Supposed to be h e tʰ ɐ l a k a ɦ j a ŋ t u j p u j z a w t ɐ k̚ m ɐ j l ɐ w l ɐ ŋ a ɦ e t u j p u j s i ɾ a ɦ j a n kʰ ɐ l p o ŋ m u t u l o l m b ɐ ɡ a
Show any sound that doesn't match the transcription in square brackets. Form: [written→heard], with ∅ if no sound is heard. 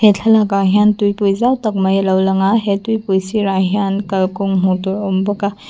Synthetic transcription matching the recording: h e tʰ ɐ l a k a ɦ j a [ŋ→n] t u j p u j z a w t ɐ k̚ m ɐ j l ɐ w l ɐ ŋ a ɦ e t u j p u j s i ɾ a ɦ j a n [kʰ→k] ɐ l [p→k] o ŋ m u t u [l→ɾ] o [l→∅] m b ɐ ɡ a